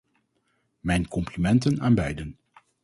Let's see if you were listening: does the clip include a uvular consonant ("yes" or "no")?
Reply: no